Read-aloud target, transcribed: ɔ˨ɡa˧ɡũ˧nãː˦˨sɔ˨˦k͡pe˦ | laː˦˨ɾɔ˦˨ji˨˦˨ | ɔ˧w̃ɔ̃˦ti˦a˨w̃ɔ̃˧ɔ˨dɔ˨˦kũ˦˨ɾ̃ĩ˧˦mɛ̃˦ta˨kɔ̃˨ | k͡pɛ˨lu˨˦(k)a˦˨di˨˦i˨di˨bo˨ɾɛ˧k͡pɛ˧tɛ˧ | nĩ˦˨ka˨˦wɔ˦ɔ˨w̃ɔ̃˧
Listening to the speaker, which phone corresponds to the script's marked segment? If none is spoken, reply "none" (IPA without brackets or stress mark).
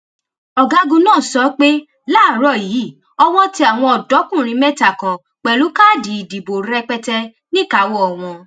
k